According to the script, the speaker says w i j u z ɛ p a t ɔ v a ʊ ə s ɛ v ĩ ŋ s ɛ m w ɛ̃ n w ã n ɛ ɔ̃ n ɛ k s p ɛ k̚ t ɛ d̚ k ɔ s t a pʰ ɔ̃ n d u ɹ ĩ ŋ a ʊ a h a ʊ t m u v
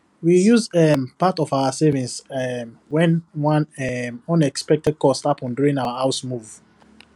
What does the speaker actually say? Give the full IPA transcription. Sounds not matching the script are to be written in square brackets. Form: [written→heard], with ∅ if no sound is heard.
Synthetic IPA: w i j u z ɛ p a t ɔ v a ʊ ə s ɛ v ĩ [ŋ→n] s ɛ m w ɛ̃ n w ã n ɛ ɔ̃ n ɛ k s p ɛ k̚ t ɛ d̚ k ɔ s t a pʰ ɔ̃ n d u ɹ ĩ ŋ a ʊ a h a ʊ [t→s] m u v

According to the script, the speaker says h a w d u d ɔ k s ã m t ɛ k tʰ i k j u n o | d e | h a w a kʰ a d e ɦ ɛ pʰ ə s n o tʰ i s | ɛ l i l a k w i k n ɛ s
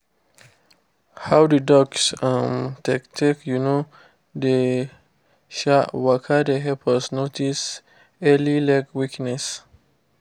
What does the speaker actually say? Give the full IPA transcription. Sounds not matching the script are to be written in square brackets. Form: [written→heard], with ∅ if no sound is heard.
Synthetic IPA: h a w d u d ɔ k s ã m t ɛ k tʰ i k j u n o | d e | [h→ʃ] a w a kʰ a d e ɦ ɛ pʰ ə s n o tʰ i s | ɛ l i l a k w i k n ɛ s

